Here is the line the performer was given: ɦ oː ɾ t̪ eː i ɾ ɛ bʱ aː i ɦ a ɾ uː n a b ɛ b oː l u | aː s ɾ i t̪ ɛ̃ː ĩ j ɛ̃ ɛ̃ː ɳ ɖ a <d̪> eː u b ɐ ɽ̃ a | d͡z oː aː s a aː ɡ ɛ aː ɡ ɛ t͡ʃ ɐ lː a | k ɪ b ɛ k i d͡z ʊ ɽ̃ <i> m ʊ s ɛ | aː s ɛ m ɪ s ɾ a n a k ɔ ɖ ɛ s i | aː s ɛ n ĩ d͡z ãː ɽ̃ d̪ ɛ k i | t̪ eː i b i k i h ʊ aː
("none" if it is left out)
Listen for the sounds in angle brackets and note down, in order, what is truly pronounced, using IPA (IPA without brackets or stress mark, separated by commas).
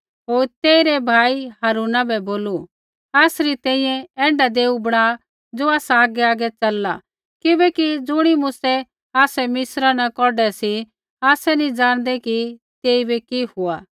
d̪, i